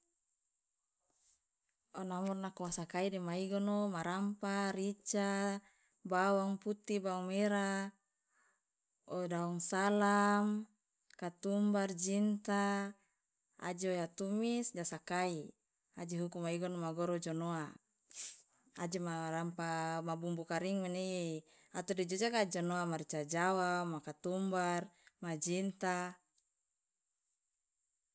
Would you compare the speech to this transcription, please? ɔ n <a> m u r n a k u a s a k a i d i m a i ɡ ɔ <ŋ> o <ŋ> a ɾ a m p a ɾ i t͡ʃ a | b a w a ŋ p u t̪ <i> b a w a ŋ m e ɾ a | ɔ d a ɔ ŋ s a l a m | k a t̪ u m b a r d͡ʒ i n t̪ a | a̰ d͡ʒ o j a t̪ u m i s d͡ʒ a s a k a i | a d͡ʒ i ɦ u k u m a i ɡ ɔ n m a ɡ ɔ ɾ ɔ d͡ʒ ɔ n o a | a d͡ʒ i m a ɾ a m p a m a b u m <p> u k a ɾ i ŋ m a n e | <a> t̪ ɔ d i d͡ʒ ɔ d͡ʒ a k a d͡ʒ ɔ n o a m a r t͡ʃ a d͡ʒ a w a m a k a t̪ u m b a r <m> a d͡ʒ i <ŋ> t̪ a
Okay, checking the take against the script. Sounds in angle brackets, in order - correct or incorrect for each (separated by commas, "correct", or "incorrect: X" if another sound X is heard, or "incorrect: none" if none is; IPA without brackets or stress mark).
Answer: correct, incorrect: n, incorrect: m, correct, incorrect: b, correct, correct, incorrect: n